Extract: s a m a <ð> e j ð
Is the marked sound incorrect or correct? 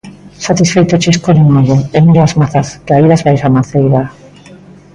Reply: incorrect: θ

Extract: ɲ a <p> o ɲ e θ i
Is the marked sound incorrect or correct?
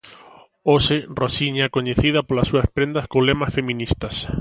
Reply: incorrect: k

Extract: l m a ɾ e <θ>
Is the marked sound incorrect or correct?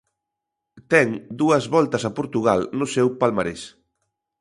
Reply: incorrect: s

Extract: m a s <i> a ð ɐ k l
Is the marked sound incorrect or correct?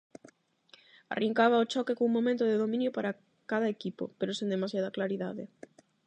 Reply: incorrect: j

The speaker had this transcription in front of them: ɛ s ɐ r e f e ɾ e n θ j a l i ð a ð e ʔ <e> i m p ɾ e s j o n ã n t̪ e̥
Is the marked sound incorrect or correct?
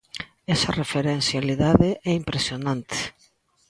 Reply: incorrect: ɛ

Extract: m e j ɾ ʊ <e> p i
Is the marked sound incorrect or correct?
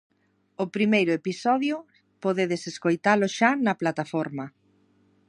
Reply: correct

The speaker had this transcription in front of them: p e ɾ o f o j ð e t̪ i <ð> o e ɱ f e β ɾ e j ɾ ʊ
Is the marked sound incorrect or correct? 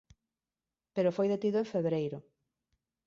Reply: correct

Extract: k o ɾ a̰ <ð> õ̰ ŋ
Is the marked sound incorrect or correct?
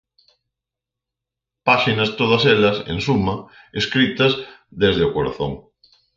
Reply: incorrect: θ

